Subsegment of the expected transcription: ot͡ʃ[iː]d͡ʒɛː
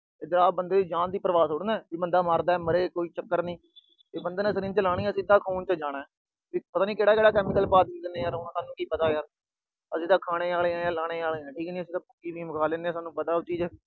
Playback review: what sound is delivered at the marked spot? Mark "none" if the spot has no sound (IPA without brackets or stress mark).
iː